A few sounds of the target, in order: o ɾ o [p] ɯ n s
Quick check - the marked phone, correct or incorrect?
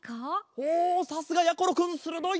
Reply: incorrect